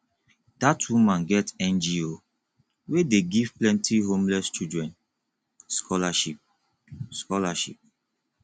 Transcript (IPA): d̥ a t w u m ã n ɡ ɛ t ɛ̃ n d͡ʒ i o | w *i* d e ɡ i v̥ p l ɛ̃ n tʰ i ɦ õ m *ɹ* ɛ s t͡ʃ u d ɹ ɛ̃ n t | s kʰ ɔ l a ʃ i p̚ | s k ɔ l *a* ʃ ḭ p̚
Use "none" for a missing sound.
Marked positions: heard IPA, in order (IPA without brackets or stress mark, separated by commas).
e, l, a